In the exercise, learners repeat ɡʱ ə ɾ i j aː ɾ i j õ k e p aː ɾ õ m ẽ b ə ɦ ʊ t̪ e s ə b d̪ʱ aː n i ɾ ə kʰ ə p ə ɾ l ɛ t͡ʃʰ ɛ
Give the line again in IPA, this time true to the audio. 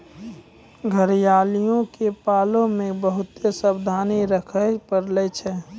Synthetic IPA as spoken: ɡʱ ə ɾ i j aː l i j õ k e p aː l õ m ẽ b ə ɦ ʊ t̪ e s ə b d̪ʱ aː n i ɾ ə kʰ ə p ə ɾ l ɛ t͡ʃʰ ɛ